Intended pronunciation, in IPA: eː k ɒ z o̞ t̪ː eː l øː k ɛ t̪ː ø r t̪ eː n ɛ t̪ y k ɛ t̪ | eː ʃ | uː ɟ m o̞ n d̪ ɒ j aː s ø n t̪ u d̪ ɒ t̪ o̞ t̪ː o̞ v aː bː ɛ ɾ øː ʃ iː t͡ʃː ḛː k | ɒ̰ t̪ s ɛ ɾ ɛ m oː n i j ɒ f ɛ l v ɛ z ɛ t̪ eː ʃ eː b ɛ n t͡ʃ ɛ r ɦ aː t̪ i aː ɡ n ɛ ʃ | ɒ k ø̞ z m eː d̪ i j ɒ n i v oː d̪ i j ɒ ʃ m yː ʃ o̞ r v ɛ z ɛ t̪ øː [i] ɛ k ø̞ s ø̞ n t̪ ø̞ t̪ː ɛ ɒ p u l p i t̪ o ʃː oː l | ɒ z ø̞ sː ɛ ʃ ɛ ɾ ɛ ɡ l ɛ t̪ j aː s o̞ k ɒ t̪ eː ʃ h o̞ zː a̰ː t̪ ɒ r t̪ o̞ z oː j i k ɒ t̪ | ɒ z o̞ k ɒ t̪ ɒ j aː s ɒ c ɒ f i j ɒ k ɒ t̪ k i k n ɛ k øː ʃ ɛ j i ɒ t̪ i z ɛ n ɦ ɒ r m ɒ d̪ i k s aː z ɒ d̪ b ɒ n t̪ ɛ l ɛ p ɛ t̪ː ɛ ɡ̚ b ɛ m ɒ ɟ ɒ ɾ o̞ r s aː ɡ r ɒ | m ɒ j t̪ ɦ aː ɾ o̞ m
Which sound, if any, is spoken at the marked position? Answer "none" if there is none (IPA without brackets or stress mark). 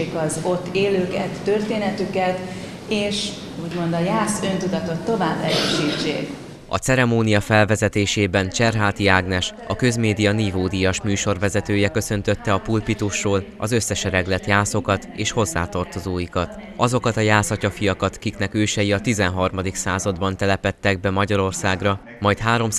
j